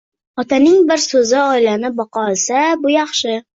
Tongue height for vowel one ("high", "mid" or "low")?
low